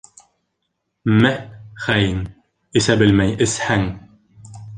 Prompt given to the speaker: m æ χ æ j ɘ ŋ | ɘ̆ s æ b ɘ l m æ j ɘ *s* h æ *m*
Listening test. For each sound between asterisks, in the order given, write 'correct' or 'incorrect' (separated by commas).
correct, incorrect